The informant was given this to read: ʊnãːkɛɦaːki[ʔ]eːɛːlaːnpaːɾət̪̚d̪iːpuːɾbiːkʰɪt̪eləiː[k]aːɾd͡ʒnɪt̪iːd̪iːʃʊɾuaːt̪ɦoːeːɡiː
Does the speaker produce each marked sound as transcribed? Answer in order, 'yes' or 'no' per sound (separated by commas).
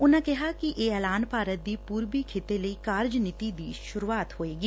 yes, yes